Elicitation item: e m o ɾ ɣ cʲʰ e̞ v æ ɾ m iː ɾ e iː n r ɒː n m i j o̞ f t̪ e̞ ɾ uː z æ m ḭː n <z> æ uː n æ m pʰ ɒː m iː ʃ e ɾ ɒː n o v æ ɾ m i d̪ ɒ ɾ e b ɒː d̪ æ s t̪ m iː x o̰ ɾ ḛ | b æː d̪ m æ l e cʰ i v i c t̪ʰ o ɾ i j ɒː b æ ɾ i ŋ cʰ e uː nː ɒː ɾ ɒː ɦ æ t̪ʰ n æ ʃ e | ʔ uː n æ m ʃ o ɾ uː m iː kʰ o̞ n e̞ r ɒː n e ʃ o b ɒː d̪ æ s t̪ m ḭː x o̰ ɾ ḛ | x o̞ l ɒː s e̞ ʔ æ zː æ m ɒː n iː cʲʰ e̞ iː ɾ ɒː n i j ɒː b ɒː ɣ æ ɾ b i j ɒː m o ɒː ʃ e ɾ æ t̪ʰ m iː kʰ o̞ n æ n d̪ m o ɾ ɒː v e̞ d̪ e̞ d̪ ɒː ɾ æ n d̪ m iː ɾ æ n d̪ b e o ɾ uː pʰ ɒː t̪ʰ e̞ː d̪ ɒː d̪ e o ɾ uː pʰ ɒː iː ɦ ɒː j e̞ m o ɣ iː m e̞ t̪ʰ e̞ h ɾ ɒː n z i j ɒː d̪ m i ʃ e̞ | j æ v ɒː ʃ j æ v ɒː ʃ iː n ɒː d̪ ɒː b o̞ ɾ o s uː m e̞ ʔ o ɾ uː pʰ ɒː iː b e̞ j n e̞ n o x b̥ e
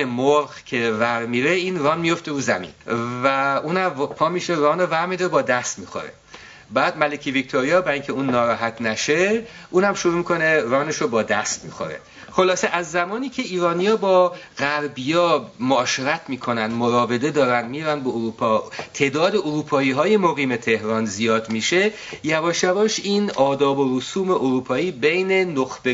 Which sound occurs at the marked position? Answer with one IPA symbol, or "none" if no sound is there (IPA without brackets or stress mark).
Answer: v